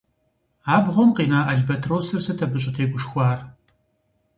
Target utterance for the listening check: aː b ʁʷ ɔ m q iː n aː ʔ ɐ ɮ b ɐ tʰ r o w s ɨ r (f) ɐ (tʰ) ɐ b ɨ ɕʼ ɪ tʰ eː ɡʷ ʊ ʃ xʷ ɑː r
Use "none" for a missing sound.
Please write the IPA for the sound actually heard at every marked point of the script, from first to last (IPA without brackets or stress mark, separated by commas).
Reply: s, tʰ